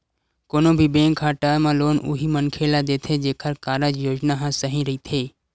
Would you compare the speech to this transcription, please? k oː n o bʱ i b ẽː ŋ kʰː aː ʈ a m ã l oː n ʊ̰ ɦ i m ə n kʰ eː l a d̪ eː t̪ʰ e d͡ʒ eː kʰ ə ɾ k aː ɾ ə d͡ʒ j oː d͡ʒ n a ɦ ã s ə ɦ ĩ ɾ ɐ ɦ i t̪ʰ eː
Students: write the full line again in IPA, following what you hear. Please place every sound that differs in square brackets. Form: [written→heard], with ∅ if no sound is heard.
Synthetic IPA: k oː n o bʱ i b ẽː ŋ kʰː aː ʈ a m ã l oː n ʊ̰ ɦ i m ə n kʰ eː l a d̪ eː t̪ʰ e d͡ʒ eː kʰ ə ɾ k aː ɾ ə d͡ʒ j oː d͡ʒ n a ɦ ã s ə ɦ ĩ ɾ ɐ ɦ i t̪ʰ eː

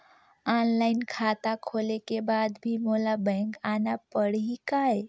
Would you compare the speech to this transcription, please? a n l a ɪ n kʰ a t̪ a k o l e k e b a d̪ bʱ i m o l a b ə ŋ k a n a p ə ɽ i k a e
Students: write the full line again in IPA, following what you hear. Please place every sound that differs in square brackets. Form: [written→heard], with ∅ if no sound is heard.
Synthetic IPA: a n l a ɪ n kʰ a t̪ a [k→kʰ] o l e k e b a d̪ bʱ i m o l a b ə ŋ k a n a p ə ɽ i k a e

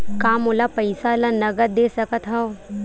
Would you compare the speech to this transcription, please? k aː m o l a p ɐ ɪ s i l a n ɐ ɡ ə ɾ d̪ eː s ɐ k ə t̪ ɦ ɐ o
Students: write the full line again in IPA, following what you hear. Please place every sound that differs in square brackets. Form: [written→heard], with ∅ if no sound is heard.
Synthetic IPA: k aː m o l a p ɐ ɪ s [i→a] l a n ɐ ɡ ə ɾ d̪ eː s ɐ k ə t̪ ɦ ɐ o

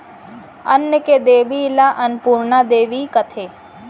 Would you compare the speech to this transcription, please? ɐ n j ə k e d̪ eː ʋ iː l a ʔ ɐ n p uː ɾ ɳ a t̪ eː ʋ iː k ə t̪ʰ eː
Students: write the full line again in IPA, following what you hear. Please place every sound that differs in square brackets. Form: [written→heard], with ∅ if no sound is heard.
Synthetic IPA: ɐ n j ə k e d̪ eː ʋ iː l a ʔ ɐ n p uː ɾ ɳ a [t̪→d̪] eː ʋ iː k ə t̪ʰ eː

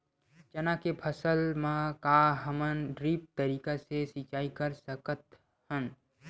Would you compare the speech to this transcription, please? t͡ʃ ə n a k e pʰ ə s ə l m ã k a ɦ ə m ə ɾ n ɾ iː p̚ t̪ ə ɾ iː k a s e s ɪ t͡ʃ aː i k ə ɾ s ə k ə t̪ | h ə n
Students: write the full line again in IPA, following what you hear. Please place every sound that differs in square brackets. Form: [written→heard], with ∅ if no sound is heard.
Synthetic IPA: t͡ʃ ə n a k e pʰ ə s ə l m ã k a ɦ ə m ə [ɾ→∅] n ɾ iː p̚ t̪ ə ɾ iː k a s e s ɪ t͡ʃ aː i k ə ɾ s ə k ə t̪ | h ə n

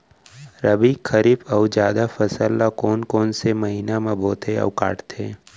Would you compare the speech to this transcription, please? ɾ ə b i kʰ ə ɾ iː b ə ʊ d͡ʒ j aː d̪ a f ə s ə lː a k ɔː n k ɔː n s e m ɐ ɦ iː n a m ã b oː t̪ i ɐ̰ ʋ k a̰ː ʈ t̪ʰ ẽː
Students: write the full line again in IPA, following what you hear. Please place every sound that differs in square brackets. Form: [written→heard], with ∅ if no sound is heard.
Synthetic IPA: ɾ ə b i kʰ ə ɾ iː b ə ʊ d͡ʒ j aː d̪ a f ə s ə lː a k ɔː n k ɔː n s e m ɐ ɦ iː n a m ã b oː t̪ [i→e] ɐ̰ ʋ k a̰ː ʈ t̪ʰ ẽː

